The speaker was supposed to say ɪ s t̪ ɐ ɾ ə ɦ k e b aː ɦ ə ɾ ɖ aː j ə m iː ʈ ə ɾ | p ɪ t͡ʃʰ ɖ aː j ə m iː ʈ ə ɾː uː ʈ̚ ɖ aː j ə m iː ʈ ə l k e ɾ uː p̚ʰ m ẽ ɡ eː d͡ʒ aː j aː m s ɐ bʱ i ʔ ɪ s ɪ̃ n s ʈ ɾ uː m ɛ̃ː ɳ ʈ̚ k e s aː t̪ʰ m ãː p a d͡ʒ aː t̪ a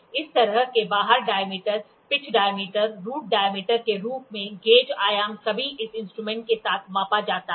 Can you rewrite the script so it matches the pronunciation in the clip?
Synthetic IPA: ɪ s t̪ ɐ ɾ ə ɦ k e b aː ɦ ə ɾ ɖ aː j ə m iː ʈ ə ɾ | p ɪ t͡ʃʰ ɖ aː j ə m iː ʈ ə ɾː uː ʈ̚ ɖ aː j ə m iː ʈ ə ɾ k e ɾ uː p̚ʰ m ẽ ɡ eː d͡ʒ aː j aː m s ɐ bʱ i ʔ ɪ s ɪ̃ n s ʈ ɾ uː m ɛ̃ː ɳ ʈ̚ k e s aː t̪ʰ m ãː p a d͡ʒ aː t̪ a